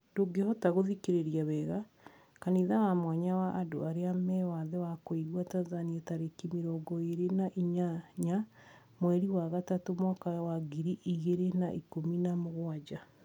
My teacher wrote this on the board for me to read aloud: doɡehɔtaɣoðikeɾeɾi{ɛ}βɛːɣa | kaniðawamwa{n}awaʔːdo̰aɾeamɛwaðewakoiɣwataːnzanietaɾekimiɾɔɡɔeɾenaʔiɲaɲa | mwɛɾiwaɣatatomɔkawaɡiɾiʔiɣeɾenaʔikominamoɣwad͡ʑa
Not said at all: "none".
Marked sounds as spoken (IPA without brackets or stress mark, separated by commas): a, ɲ